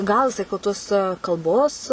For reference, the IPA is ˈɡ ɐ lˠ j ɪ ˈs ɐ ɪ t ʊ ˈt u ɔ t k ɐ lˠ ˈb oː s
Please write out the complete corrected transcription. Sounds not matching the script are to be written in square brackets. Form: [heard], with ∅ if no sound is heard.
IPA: ˈɡ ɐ lˠ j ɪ ˈs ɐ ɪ [k] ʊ ˈt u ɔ [s] k ɐ lˠ ˈb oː s